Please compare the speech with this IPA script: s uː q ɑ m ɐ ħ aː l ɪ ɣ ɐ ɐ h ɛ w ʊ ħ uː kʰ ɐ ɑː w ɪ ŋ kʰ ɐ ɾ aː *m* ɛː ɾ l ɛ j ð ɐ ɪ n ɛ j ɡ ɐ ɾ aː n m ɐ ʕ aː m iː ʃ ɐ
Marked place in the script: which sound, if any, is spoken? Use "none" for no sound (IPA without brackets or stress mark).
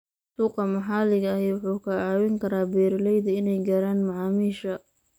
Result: b